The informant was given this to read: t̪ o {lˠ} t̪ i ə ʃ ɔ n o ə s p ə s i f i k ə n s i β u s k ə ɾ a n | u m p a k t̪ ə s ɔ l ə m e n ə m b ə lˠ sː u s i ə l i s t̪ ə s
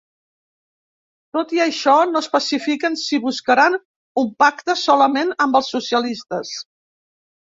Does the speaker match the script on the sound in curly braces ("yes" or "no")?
no